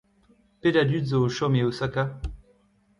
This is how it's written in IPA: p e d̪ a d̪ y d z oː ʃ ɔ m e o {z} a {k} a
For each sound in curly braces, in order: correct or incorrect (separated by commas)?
incorrect, correct